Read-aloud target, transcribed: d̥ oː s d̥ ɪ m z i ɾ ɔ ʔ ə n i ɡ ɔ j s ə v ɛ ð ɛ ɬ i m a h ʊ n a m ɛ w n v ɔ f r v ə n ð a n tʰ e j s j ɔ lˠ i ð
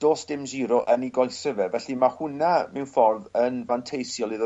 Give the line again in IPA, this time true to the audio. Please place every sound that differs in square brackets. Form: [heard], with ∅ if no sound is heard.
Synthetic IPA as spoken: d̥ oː s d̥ ɪ m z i ɾ ɔ ʔ ə n i ɡ ɔ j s ə v ɛ [v] ɛ ɬ i m a h ʊ n a m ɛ w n [f] ɔ [∅] r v ə n [v] a n tʰ e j s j ɔ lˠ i ð